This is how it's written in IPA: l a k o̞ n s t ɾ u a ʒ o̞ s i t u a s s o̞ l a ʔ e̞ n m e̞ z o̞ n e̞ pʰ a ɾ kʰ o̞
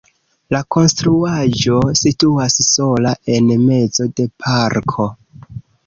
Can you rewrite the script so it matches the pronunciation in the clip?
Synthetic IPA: l a k o̞ n s t ɾ u a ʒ o̞ s i t u a s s o̞ l a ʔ e̞ n m e̞ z o̞ d e̞ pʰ a ɾ kʰ o̞